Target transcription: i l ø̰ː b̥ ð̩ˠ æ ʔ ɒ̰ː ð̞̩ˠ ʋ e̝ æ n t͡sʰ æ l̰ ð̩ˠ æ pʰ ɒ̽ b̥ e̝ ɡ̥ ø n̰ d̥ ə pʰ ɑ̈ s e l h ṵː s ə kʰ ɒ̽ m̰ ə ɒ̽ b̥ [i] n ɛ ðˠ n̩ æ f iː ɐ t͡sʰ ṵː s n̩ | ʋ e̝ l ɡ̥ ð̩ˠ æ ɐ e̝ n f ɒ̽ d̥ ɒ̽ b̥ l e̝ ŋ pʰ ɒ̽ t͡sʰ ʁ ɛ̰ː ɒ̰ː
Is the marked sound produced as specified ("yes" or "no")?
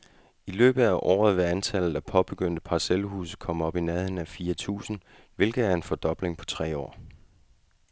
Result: yes